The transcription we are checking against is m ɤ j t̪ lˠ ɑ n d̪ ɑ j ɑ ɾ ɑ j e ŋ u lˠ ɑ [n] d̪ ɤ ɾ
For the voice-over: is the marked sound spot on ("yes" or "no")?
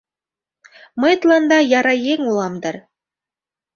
no